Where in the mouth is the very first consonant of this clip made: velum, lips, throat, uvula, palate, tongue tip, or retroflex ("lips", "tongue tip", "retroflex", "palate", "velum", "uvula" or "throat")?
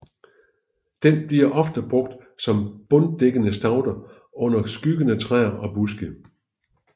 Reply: tongue tip